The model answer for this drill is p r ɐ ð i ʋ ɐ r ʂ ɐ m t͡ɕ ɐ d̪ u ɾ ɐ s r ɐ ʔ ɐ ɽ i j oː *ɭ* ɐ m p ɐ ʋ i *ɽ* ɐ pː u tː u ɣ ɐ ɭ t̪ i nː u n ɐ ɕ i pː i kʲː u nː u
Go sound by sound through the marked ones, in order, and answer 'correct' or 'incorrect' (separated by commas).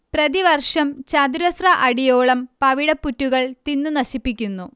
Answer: correct, correct